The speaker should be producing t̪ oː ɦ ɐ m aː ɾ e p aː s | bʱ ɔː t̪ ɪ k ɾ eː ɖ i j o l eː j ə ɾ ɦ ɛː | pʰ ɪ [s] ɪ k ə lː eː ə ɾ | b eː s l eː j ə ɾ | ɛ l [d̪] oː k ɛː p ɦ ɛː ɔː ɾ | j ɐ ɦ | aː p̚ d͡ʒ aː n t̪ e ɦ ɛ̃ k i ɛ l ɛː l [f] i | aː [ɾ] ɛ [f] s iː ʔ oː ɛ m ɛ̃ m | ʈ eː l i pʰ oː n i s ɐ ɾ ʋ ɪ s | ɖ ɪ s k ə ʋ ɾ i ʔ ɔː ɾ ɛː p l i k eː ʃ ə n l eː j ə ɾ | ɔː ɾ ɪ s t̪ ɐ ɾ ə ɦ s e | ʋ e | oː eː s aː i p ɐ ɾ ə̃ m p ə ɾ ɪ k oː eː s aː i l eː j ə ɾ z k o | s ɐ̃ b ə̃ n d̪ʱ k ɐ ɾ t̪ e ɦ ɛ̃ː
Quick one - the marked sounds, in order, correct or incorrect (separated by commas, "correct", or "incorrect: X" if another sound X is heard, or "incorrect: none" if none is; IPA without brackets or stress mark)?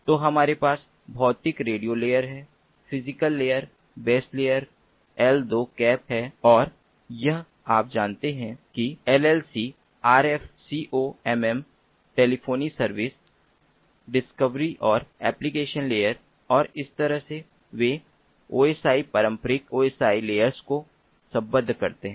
incorrect: z, correct, incorrect: s, correct, correct